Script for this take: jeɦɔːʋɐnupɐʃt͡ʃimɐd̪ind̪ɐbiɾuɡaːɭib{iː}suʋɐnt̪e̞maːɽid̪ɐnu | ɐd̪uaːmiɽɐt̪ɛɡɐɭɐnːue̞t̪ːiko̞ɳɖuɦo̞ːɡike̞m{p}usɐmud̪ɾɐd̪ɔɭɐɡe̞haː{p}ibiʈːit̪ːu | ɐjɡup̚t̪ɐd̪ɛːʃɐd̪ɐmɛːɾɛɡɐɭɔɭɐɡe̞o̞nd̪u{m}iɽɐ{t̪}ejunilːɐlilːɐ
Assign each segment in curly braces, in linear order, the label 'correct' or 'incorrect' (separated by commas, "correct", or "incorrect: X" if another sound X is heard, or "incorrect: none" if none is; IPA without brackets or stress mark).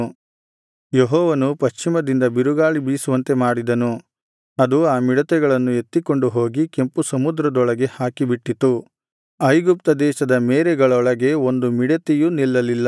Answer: correct, correct, incorrect: k, correct, correct